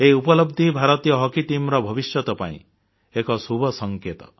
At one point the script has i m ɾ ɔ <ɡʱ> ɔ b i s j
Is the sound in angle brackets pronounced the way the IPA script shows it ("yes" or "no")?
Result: no